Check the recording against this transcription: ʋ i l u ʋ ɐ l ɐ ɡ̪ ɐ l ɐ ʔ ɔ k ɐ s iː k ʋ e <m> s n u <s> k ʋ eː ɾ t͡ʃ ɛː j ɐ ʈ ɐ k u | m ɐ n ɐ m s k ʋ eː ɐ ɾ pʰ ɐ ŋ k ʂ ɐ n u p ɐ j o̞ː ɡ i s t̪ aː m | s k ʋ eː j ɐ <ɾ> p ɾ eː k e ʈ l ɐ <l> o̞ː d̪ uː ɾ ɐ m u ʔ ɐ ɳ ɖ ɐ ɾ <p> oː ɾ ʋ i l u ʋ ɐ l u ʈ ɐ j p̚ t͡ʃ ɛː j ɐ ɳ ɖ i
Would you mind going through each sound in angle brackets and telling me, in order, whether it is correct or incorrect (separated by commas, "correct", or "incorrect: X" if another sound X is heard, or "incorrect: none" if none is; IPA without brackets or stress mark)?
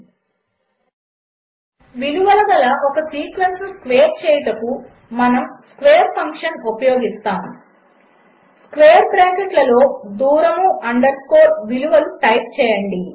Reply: incorrect: n, correct, correct, correct, incorrect: k